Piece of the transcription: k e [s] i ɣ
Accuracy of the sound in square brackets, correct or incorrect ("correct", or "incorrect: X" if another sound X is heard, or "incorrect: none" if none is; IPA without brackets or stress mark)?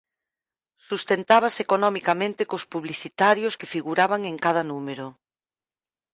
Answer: incorrect: f